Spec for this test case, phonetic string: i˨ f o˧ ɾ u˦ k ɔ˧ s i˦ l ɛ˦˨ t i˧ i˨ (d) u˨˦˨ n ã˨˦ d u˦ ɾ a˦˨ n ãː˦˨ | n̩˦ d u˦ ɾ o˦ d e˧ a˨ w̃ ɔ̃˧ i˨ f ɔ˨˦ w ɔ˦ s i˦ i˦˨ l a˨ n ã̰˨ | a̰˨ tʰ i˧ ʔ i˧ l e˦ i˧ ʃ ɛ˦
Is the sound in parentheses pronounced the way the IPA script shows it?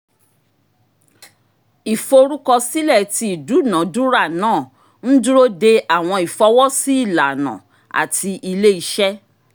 yes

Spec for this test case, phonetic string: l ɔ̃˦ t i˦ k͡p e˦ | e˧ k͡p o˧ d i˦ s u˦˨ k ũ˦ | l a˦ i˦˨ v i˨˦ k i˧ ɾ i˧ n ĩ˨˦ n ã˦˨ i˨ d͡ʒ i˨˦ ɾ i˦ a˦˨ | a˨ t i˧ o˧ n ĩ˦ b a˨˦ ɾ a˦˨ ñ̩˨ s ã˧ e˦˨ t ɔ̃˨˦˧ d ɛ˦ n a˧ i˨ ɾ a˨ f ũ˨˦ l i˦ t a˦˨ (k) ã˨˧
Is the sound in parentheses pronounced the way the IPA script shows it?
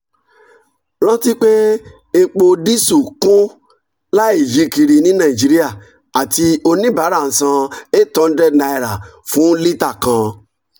yes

